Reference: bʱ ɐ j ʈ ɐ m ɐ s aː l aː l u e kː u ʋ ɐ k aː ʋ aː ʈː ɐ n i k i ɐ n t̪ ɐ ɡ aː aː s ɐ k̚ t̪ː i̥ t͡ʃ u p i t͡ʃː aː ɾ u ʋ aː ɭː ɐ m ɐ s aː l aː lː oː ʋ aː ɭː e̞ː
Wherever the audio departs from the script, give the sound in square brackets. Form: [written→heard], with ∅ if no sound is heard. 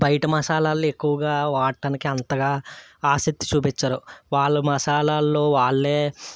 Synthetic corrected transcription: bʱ ɐ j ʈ ɐ m ɐ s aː l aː l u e kː u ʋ ɐ [k→ɡ] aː ʋ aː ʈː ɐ n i k i ɐ n t̪ ɐ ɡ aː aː s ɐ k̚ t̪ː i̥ t͡ʃ [u→uː] p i t͡ʃː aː ɾ u ʋ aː ɭː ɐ m ɐ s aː l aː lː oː ʋ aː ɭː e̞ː